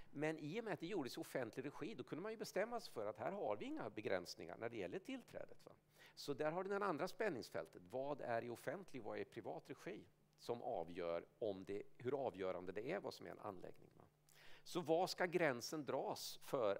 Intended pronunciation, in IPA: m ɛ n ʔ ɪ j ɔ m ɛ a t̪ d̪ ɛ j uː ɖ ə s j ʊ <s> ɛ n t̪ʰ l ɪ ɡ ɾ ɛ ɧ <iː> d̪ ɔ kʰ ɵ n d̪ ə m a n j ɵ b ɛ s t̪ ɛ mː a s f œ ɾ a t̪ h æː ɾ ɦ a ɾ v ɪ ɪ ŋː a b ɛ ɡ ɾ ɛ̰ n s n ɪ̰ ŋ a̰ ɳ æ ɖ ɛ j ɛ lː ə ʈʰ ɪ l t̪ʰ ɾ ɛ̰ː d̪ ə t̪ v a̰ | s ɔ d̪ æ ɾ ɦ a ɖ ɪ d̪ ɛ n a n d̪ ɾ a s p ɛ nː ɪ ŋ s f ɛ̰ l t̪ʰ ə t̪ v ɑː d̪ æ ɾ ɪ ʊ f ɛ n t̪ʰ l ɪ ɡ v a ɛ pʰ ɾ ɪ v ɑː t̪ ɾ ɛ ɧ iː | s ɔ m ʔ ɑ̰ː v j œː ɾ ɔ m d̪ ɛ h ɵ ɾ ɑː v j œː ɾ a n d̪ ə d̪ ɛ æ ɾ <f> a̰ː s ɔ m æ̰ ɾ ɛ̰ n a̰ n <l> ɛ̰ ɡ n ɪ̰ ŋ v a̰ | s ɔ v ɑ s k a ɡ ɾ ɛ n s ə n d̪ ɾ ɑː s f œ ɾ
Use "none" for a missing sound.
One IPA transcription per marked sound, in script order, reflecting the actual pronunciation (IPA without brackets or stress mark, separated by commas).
f, iː, v, l